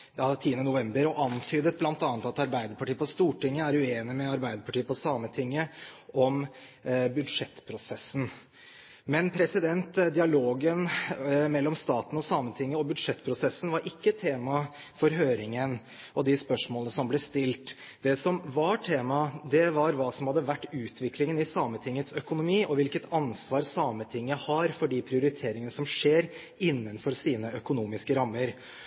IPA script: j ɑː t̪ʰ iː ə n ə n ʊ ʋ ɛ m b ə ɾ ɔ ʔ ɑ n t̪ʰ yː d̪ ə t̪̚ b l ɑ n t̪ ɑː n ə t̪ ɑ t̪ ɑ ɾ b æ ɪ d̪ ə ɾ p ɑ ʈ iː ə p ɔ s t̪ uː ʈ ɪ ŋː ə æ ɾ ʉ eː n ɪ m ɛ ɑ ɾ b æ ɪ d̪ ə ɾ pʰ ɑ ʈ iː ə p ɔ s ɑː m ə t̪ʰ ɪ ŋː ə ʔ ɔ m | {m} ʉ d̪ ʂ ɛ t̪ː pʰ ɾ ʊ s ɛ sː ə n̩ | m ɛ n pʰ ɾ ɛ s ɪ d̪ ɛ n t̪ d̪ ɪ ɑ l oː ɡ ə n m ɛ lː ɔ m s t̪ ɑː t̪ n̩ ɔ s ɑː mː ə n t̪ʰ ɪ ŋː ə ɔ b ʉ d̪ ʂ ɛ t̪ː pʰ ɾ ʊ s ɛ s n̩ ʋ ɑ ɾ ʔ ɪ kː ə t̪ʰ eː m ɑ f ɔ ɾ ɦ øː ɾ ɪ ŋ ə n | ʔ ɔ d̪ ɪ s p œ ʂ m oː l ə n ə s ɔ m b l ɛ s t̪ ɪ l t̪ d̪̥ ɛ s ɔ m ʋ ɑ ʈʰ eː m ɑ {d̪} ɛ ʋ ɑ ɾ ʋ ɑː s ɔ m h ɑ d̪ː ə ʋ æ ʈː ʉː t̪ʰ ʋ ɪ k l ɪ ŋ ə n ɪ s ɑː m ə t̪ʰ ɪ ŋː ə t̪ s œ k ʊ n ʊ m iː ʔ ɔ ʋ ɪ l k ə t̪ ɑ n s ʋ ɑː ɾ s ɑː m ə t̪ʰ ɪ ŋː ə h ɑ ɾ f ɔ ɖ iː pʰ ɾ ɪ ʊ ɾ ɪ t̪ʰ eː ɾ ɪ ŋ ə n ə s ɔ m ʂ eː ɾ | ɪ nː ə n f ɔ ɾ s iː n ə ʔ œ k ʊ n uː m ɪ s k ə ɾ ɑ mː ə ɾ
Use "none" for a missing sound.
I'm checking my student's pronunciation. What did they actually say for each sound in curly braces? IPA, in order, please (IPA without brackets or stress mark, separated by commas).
b, d̪